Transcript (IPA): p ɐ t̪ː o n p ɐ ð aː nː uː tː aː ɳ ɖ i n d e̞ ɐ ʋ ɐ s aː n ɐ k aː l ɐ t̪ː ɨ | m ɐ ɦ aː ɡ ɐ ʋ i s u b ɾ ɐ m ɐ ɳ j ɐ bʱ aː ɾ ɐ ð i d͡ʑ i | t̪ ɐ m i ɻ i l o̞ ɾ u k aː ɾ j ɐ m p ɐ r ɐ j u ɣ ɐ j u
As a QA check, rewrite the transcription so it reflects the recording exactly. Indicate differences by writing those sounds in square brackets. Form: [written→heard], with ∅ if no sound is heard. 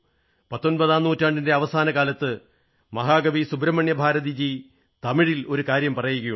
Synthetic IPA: p ɐ t̪ː o n p ɐ ð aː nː uː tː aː ɳ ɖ i n d e̞ ɐ ʋ ɐ s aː n ɐ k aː l ɐ t̪ː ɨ | m ɐ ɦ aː ɡ ɐ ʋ i s u b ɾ ɐ m ɐ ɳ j ɐ bʱ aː ɾ ɐ ð i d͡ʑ i | t̪ ɐ m i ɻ i l o̞ ɾ u k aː ɾ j ɐ m p ɐ r ɐ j u ɣ ɐ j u